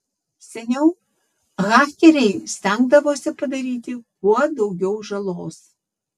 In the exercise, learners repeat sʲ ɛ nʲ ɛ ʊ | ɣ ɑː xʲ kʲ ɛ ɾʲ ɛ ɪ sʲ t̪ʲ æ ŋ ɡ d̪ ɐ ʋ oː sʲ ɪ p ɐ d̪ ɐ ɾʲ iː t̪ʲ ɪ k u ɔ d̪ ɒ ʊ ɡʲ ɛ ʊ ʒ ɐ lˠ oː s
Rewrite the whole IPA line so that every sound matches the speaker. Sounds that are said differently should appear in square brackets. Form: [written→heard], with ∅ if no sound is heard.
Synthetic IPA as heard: sʲ ɛ nʲ ɛ ʊ | ɣ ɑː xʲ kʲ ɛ ɾʲ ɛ ɪ sʲ t̪ʲ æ ŋ ɡ d̪ ɐ ʋ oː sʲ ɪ p ɐ d̪ ɐ ɾʲ iː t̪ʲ ɪ k u ɔ d̪ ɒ ʊ ɡʲ ɛ ʊ ʒ ɐ lˠ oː s